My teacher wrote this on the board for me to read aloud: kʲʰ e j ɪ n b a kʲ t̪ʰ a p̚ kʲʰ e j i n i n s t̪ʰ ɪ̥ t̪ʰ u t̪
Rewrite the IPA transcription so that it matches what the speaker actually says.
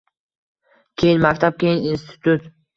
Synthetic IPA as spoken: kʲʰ e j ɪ n m a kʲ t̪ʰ a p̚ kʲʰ e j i n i n s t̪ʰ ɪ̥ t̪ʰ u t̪